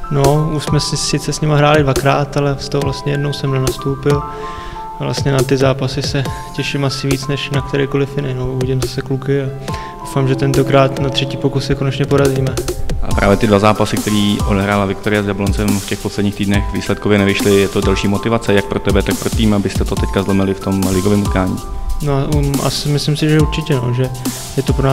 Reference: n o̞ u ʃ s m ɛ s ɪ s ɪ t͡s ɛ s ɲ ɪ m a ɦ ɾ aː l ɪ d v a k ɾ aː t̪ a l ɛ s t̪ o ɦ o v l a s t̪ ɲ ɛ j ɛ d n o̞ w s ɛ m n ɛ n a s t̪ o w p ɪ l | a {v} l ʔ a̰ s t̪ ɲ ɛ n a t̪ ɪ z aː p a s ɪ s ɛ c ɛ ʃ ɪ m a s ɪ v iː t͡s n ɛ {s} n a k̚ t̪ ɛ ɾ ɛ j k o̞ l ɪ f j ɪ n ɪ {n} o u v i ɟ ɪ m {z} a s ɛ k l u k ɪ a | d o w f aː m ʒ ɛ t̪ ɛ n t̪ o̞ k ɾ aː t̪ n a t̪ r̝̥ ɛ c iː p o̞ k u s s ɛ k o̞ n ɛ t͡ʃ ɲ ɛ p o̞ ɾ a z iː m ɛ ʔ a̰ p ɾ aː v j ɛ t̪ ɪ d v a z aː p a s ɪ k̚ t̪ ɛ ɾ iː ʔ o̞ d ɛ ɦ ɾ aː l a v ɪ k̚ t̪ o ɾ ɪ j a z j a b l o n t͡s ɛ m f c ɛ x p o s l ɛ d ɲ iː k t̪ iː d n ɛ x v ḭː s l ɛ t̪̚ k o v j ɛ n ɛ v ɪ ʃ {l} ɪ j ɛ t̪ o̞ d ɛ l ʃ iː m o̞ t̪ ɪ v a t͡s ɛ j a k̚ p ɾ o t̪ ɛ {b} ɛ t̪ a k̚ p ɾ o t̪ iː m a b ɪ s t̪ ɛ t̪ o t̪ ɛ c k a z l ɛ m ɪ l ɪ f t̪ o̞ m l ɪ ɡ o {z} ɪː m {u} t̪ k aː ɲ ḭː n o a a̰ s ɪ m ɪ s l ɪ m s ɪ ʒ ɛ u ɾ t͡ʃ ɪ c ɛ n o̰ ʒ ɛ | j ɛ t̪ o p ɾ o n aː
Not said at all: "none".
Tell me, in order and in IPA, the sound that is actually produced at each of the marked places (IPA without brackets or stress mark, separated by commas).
v, ʃ, n, z, l, b, v, u